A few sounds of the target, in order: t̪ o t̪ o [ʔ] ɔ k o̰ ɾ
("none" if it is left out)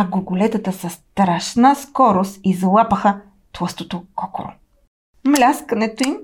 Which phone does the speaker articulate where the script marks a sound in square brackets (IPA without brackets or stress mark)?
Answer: k